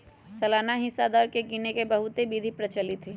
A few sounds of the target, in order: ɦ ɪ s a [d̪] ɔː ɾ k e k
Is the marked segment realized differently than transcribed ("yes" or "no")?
no